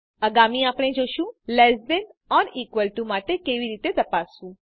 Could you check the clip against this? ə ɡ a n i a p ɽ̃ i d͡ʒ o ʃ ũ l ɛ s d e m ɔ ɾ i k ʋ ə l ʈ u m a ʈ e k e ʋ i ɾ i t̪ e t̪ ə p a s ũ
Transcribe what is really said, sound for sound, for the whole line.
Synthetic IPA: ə ɡ a m i a p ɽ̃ e d͡ʒ o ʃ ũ l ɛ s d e n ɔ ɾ i k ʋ ə l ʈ u m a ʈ e k e ʋ i ɾ i t̪ e t̪ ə p a s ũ